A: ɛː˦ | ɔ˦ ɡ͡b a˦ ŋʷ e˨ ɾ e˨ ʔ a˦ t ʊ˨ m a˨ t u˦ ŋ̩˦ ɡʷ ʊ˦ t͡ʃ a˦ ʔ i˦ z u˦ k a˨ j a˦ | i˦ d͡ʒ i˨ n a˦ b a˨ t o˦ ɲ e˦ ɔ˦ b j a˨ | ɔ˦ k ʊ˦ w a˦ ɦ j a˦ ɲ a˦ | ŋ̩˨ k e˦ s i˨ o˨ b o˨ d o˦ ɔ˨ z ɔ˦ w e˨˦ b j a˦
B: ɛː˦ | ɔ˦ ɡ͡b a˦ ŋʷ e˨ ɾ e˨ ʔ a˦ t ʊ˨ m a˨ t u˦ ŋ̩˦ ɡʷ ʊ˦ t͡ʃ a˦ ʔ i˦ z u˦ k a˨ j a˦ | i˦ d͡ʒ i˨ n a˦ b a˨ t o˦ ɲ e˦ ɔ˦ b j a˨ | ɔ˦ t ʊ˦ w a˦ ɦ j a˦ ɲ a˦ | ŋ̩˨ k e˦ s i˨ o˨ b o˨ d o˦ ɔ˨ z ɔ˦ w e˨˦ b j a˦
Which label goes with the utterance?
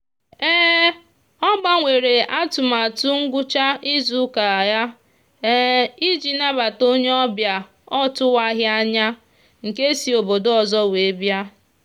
B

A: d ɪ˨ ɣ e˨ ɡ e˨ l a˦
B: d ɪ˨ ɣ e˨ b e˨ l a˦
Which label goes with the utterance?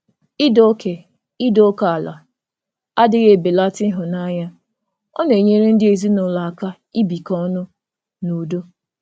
B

